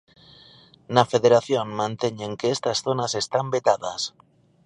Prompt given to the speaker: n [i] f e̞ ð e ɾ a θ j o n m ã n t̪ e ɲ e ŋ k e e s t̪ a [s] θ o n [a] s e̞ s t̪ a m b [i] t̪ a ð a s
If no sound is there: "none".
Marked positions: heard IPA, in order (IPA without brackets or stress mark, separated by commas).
a, s, a, e